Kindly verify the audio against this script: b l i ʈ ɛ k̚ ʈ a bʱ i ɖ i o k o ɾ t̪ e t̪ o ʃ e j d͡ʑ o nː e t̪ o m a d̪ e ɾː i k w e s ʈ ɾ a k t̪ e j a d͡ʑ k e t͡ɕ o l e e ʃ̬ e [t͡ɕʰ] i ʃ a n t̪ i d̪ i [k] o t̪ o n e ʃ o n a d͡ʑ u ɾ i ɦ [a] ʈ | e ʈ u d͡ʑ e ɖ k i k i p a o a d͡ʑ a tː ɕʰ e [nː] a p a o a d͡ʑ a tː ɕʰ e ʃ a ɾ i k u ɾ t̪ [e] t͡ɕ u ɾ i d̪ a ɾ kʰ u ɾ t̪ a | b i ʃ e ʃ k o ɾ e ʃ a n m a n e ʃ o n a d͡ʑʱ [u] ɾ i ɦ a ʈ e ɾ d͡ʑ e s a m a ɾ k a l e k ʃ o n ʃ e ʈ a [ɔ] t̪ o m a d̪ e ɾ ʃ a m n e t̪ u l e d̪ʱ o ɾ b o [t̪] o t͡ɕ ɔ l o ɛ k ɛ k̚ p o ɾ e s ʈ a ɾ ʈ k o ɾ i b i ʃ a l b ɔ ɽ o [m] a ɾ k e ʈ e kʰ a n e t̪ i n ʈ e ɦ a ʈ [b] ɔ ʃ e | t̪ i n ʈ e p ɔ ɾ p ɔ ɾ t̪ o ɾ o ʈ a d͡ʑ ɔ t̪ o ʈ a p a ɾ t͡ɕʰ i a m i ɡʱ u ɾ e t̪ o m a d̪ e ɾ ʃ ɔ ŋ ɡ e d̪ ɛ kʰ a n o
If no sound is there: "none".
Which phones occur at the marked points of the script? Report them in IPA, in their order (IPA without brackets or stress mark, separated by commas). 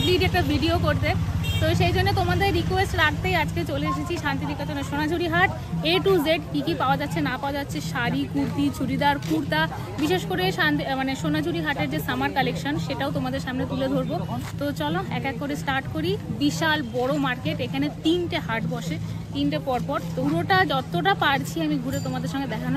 t͡ɕʰ, k, a, n, i, u, o, t̪, m, b